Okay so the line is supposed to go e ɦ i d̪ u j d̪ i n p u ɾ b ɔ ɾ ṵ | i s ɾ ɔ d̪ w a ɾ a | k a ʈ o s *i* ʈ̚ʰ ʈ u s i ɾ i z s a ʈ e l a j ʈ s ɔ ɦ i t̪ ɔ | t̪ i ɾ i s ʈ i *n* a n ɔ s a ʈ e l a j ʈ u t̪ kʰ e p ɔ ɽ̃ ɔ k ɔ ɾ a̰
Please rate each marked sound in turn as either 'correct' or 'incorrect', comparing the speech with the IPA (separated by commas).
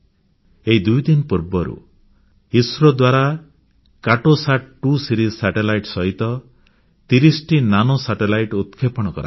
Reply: incorrect, correct